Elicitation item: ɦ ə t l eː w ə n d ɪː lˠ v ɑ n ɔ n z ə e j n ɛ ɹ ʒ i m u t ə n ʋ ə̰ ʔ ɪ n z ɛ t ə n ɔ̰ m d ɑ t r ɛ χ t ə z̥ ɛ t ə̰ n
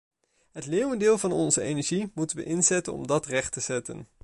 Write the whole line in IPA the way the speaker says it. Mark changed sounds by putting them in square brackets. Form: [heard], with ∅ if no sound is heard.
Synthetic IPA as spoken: ɦ ə t l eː w ə n d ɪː lˠ v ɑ n ɔ n z ə e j n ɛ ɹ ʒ i m u t ə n ʋ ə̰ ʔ ɪ n z ɛ t ə n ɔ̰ m d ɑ t r ɛ χ t ə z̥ ɛ t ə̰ n